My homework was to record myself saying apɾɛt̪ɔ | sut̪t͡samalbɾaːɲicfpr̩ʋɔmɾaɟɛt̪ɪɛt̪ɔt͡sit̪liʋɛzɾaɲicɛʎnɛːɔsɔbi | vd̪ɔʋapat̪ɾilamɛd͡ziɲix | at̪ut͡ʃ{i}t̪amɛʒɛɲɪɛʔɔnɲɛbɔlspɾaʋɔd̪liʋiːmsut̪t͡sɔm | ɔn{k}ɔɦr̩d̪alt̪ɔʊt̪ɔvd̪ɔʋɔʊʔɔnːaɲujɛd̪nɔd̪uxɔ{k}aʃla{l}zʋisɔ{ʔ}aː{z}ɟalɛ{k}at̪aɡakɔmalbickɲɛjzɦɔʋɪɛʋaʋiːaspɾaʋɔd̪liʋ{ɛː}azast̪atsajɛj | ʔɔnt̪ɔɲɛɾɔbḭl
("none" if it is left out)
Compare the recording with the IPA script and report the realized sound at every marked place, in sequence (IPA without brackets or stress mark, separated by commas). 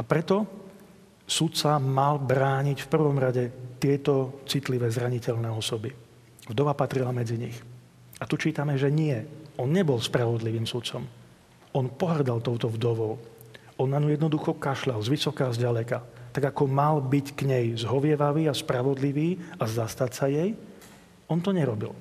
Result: iː, p, k, l, k, z, k, iː